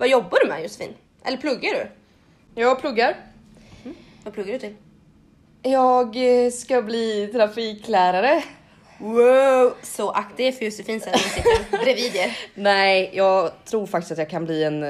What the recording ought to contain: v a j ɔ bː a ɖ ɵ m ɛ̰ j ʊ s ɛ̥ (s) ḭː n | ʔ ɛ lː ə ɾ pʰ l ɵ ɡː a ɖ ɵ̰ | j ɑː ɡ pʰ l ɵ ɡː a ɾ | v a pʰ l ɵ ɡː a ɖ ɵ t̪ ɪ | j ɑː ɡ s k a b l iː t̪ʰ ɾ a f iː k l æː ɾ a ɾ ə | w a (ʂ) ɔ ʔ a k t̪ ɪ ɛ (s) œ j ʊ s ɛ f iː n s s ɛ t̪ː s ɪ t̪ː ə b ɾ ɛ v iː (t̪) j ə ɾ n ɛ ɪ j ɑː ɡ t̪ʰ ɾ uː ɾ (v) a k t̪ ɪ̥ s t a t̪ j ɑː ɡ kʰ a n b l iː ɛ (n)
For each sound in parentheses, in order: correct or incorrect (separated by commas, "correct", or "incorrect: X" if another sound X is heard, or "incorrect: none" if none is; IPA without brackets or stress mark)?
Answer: incorrect: f, incorrect: s, incorrect: f, incorrect: d̪, incorrect: f, correct